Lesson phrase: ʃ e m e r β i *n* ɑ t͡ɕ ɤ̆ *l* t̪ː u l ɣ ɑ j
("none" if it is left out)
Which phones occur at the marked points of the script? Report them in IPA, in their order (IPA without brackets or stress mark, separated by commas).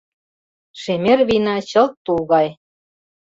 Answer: n, l